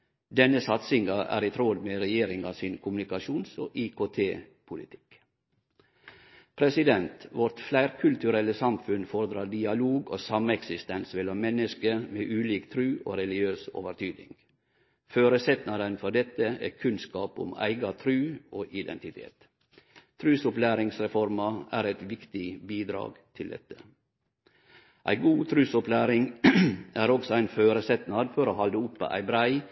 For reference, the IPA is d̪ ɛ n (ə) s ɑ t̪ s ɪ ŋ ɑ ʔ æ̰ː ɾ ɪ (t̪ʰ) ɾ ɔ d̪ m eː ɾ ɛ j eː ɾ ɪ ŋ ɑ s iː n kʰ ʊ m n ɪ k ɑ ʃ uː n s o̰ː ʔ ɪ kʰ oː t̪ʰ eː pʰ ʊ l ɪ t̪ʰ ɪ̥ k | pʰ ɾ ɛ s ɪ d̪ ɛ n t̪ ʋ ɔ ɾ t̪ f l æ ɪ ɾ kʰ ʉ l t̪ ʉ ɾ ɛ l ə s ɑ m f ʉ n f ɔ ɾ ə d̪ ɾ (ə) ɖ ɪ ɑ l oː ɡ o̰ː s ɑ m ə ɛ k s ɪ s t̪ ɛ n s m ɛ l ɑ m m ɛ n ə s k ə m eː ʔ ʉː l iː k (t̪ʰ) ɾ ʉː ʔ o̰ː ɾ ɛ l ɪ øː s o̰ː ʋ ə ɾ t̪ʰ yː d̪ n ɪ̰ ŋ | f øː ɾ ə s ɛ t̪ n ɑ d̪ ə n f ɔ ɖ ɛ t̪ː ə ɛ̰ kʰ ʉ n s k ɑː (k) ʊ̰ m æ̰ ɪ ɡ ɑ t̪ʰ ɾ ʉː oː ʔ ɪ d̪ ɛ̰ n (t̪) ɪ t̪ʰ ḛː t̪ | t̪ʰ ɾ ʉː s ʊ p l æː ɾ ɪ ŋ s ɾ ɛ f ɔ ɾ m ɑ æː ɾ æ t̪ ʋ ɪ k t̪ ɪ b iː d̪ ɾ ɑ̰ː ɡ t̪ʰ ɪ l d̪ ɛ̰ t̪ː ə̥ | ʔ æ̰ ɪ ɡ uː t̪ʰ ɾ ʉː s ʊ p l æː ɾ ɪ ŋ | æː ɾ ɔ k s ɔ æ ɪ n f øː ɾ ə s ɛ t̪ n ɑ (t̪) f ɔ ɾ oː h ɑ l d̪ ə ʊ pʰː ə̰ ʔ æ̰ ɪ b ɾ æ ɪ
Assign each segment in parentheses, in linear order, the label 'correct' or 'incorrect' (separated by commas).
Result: correct, correct, incorrect, correct, incorrect, correct, incorrect